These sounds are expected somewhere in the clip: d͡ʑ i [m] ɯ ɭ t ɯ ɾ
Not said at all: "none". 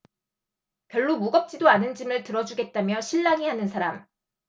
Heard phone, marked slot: m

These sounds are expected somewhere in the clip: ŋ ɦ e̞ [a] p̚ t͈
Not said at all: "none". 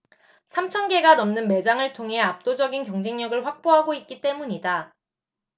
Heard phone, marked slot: a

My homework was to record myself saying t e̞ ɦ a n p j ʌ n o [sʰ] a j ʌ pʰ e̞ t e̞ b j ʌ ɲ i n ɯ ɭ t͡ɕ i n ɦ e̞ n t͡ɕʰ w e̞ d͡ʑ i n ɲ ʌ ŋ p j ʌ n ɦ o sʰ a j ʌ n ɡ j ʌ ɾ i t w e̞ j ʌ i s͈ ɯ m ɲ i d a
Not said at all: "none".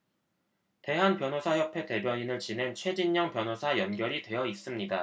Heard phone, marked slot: sʰ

